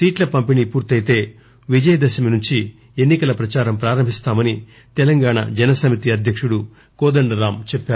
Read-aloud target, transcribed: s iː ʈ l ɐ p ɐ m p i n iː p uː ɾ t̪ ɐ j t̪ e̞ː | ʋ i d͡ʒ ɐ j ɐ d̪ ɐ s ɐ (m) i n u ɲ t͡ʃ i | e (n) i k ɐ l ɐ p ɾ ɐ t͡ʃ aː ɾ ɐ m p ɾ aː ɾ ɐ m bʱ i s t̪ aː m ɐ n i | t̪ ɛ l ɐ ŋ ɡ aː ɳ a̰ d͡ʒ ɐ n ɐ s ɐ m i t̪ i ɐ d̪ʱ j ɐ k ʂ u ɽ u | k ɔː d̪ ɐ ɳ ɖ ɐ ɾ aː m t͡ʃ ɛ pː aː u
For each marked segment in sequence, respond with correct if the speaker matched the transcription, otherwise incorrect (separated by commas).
correct, incorrect